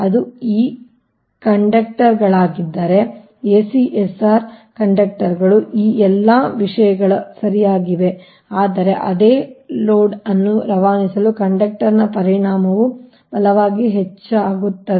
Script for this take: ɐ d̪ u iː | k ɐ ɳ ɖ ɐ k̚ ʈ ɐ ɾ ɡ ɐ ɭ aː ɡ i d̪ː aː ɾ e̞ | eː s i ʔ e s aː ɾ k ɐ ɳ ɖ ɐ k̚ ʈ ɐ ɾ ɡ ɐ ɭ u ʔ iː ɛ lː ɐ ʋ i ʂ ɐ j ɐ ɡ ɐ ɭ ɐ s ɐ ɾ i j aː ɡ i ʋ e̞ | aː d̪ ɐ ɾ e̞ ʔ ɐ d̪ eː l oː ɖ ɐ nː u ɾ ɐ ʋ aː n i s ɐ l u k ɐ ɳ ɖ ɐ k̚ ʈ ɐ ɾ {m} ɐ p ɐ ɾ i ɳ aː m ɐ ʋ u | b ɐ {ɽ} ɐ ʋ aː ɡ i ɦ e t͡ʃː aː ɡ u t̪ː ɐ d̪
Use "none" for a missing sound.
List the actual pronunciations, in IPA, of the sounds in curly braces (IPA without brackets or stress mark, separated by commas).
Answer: n, l